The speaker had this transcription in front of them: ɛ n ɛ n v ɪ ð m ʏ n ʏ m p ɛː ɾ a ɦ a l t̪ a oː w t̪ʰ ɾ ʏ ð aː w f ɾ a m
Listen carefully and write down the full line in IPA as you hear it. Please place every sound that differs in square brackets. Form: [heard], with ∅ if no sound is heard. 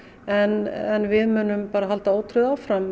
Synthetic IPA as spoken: ɛ n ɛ n v ɪ ð m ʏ n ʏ m p [aː] ɾ a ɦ a l t̪ a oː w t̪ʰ ɾ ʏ ð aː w f ɾ a m